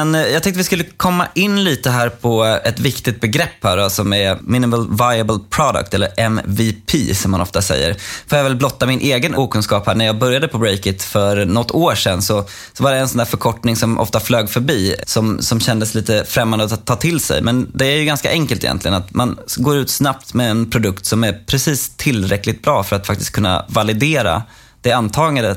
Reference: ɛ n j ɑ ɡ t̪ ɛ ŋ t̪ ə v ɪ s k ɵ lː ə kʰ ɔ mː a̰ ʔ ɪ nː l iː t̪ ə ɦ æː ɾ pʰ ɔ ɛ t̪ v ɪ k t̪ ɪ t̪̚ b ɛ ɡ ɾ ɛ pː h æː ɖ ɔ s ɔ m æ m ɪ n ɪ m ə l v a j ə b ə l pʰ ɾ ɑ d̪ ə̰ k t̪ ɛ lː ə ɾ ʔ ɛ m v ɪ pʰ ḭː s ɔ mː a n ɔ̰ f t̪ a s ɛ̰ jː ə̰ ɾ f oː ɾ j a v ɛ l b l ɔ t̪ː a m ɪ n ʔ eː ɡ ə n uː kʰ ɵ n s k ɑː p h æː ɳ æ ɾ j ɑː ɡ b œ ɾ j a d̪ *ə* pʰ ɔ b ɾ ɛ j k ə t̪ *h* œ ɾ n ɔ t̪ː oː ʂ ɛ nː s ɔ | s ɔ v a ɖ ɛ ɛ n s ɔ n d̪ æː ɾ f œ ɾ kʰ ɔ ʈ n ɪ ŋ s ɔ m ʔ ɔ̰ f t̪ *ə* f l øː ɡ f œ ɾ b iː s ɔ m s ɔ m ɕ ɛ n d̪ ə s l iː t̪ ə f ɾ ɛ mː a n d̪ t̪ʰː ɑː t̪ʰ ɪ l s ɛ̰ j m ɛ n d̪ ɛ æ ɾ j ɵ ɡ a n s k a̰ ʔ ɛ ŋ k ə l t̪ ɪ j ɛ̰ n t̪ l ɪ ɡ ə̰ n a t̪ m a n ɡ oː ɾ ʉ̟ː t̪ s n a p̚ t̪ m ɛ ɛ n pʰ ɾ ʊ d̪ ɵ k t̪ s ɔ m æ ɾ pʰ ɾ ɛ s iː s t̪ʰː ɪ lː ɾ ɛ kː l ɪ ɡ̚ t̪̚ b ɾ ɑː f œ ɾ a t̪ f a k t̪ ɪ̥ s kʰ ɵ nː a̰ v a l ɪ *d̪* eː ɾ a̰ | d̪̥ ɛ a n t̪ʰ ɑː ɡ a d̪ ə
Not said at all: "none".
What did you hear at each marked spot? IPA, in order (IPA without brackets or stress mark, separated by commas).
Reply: ə, f, a, d̪